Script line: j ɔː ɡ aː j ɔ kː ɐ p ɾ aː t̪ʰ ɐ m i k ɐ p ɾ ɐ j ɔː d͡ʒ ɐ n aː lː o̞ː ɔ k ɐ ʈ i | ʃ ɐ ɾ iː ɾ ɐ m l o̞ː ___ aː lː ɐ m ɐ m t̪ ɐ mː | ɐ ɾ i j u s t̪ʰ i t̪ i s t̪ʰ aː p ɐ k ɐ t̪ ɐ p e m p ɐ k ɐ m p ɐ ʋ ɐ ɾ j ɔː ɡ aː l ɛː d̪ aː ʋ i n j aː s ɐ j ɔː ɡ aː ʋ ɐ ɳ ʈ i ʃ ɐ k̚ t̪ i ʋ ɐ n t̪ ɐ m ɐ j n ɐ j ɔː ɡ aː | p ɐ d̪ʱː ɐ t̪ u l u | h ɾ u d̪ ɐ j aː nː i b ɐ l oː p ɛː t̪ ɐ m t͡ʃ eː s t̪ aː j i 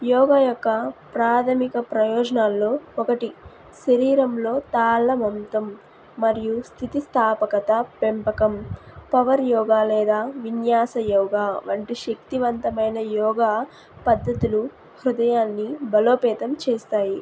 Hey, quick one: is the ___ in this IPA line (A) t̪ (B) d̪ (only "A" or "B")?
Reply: A